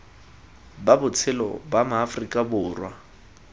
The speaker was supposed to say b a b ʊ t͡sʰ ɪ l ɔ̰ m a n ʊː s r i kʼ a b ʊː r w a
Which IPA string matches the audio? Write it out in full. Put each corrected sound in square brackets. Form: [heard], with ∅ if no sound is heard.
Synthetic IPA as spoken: b a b ʊ t͡sʰ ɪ l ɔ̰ [b] a [m] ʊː [f] r i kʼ a b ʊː r w a